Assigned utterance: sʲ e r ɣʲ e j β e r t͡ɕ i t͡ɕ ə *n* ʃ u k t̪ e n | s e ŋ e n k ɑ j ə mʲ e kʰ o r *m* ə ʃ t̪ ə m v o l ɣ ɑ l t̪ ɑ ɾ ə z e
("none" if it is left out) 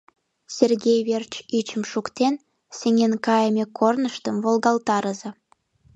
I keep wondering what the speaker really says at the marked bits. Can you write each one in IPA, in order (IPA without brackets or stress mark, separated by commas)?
m, n